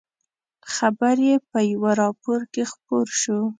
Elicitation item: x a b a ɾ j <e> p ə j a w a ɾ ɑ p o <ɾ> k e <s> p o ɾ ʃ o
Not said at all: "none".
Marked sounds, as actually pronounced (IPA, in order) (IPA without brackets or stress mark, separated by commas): e, ɾ, x